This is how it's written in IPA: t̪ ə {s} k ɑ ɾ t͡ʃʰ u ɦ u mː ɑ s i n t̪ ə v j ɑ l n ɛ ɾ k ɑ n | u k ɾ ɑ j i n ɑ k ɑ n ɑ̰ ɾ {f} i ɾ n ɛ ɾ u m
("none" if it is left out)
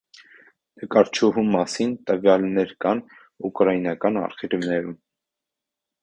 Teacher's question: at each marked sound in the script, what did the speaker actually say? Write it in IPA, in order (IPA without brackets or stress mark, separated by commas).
none, χ